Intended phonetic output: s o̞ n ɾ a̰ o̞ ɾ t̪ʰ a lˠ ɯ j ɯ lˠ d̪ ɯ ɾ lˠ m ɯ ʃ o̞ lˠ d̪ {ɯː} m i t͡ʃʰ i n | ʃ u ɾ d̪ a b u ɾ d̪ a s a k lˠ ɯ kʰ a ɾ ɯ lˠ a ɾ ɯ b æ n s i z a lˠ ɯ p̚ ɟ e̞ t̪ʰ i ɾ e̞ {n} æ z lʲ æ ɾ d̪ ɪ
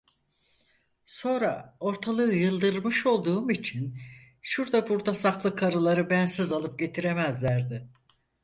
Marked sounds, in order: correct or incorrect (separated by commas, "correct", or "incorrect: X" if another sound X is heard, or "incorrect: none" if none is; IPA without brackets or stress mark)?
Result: incorrect: uː, incorrect: m